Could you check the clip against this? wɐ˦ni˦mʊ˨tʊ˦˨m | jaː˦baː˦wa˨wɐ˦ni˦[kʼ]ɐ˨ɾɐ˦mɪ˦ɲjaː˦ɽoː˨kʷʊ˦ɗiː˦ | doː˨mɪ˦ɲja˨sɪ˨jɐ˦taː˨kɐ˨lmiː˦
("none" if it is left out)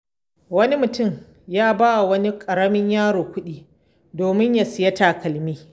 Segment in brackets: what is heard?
kʼ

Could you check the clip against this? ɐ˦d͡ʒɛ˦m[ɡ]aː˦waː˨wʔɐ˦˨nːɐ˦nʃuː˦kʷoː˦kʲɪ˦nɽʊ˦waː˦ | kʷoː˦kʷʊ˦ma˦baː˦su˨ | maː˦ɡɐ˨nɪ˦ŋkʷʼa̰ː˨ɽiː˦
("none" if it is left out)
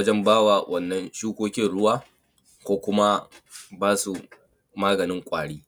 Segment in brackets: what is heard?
b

